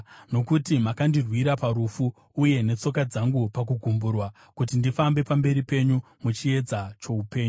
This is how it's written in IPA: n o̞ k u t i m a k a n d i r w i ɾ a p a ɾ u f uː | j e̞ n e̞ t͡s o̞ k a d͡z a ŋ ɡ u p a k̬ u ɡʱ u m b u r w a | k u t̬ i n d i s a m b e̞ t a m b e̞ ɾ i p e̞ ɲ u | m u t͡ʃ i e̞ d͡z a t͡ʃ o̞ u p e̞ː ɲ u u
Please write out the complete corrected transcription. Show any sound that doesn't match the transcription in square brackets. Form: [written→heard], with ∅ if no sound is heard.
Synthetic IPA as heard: n o̞ k u t i m a k a n d i r w i ɾ a p a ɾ u f uː | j e̞ n e̞ t͡s o̞ k a d͡z a ŋ ɡ u p a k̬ u ɡʱ u m b u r w a | k u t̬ i n d i [s→f] a m b e̞ [t→p] a m b e̞ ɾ i p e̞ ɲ u | m u t͡ʃ i e̞ d͡z a t͡ʃ o̞ u p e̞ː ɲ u u

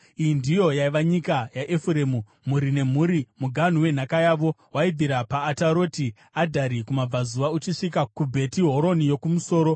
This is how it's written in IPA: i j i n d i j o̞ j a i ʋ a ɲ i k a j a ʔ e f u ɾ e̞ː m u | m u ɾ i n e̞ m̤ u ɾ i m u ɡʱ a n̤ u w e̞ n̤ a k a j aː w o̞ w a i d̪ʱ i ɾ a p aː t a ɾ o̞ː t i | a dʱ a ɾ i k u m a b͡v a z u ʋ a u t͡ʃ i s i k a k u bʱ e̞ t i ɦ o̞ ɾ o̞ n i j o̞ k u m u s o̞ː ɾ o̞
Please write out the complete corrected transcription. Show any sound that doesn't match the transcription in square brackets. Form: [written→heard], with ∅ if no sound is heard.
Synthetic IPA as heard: i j i n d i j o̞ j a i ʋ a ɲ i k a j a ʔ e f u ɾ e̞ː m u | m u ɾ i n e̞ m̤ u ɾ i m u ɡʱ a n̤ u w e̞ n̤ a k a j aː [w→ʋ] o̞ w a i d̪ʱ i ɾ a p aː t a ɾ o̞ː t i | a dʱ a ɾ i k u m a b͡v a z u ʋ a u t͡ʃ i [s→ʂ] i k a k u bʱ e̞ t i ɦ o̞ ɾ o̞ n i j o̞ k u m u s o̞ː ɾ o̞

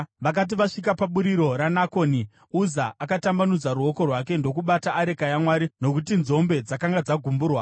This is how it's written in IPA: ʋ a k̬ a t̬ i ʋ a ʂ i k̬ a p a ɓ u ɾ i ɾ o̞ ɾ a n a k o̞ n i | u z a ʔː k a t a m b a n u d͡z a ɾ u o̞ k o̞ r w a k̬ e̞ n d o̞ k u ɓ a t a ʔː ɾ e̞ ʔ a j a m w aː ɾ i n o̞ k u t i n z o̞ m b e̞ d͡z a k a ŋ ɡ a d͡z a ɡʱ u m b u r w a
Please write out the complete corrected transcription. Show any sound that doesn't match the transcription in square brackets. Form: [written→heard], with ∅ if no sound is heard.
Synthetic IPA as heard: ʋ a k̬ a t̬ i ʋ a ʂ i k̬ a p a ɓ u ɾ i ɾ o̞ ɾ a n a k o̞ n i | u z a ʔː k a t a m b a n u d͡z a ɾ u o̞ k o̞ r w a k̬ e̞ n d o̞ k u ɓ a t a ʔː ɾ e̞ [ʔ→k] a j a m w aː ɾ i n o̞ k u t i n z o̞ m b e̞ d͡z a k a ŋ ɡ a d͡z a ɡʱ u m b u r w a

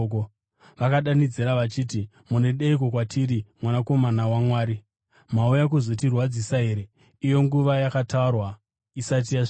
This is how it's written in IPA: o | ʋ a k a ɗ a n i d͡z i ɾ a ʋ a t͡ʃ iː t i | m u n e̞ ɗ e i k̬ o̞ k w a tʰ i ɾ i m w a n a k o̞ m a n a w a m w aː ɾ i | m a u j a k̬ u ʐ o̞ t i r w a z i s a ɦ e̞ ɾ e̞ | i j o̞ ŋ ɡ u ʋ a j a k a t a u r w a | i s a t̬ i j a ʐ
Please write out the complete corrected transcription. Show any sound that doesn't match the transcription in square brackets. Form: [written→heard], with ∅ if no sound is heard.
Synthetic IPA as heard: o | ʋ a k a ɗ a n i d͡z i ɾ a ʋ a t͡ʃ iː t i | m u n e̞ ɗ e i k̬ o̞ k w a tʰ i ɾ i m w a n a k o̞ m a n a w a m w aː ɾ i | m a u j a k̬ u [ʐ→z] o̞ t i r w a [z→d͡z] i s a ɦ e̞ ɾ e̞ | i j o̞ ŋ ɡ u ʋ a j a k a t a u r w a | i s a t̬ i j a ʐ

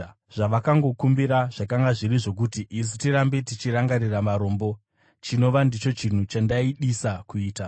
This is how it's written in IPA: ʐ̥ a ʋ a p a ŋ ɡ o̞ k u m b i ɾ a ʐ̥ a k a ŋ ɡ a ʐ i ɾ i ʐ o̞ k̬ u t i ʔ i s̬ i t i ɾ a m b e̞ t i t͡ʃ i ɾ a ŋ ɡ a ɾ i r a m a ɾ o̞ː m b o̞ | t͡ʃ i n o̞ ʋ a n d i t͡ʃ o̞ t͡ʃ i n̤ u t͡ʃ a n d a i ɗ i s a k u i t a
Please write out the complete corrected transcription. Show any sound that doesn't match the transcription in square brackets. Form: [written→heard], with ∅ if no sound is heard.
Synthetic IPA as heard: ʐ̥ a ʋ a [p→k] a ŋ ɡ o̞ k u m b i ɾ a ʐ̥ a k a ŋ ɡ a ʐ i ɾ i ʐ o̞ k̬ u t i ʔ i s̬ i t i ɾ a m b e̞ t i t͡ʃ i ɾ a ŋ ɡ a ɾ i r a m a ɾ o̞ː m b o̞ | t͡ʃ i n o̞ ʋ a n d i t͡ʃ o̞ t͡ʃ i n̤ u t͡ʃ a n d a i ɗ i s a k u [i→iː] t a

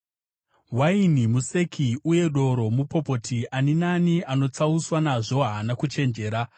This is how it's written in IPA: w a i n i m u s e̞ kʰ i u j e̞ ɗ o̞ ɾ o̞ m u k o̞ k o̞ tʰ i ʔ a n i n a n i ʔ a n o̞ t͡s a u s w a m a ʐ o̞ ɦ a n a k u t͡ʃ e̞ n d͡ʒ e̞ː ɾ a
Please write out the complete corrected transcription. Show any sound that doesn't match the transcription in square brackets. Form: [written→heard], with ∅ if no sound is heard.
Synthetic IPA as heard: w a i n i m u s e̞ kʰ i u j e̞ ɗ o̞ ɾ o̞ m u [k→p] o̞ [k→p] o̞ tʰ i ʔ a n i n a n i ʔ a n o̞ t͡s a u s w a [m→n] a ʐ o̞ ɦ a n a k u t͡ʃ e̞ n d͡ʒ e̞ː ɾ a

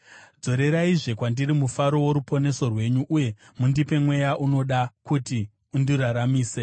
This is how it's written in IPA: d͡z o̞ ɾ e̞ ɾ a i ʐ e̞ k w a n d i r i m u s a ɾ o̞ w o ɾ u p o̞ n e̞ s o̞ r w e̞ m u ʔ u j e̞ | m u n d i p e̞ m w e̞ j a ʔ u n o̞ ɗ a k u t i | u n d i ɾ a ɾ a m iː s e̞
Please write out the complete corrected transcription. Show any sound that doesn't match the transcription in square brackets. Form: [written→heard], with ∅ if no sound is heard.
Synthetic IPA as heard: d͡z o̞ ɾ e̞ ɾ a i ʐ e̞ k w a n d i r i m u [s→f] a ɾ o̞ w o ɾ u p o̞ n e̞ s o̞ r w e̞ [m→ɲ] u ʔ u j e̞ | m u n d i p e̞ m w e̞ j a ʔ u n o̞ ɗ a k u t i | u n d i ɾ a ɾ a m iː s e̞

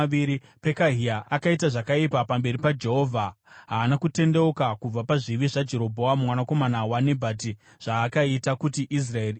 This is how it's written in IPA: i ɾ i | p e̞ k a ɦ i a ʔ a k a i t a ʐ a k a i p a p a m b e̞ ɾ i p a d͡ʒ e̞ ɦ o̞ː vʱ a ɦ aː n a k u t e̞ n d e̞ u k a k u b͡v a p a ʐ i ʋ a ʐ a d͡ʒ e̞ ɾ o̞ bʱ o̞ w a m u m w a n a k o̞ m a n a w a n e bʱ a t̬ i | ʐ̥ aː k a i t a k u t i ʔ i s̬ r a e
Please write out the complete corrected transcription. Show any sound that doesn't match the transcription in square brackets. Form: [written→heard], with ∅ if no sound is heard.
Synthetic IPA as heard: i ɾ i | p e̞ k a ɦ i a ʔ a k a i t a ʐ a k a i p a p a m b e̞ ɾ i p a d͡ʒ e̞ ɦ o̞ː vʱ a ɦ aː n a k u t e̞ n d e̞ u k a k u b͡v a p a ʐ i ʋ [a→i] ʐ a d͡ʒ e̞ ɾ o̞ bʱ o̞ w a m u m w a n a k o̞ m a n a w a n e bʱ a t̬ i | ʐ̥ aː k a i t a k u t i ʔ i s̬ r a e

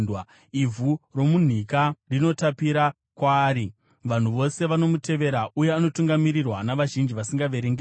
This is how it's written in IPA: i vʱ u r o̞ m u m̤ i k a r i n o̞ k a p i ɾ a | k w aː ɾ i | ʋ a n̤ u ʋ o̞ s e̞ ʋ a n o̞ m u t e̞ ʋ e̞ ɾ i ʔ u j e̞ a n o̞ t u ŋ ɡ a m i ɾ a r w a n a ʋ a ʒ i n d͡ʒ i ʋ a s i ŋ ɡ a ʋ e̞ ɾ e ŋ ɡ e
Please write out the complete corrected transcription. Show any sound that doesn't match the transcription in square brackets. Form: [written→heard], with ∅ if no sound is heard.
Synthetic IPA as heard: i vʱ u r o̞ m u [m̤→n̤] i k a r i n o̞ [k→t] a p i ɾ a | k w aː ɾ i | ʋ a n̤ u ʋ o̞ s e̞ ʋ a n o̞ m u t e̞ ʋ e̞ ɾ [i→a] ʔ u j e̞ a n o̞ t u ŋ ɡ a m i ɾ [a→i] r w a n a ʋ a ʒ i n d͡ʒ i ʋ a s i ŋ ɡ a ʋ e̞ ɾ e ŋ ɡ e

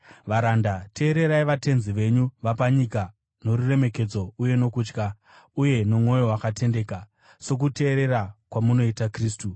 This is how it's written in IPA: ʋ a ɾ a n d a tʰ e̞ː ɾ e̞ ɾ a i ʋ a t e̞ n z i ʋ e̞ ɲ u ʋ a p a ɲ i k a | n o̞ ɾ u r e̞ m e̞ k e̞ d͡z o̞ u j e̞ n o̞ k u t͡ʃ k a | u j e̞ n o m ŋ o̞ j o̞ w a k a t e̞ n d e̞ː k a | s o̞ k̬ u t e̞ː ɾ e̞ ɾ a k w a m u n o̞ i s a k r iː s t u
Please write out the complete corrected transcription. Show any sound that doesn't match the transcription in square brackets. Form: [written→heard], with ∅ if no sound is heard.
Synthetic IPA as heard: ʋ a ɾ a n d a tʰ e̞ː ɾ e̞ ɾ a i ʋ a t e̞ n z i ʋ e̞ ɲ u ʋ a p a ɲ i k a | n o̞ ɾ u r e̞ m e̞ k e̞ d͡z o̞ u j e̞ n o̞ k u t͡ʃ k a | u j e̞ n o m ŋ o̞ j o̞ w a k a t e̞ n d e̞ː k a | s o̞ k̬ u t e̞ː ɾ e̞ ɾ a k w a m u n o̞ i [s→t] a k r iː s t u

